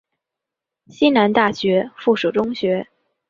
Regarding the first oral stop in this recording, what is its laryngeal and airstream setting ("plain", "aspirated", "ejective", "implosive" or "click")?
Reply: plain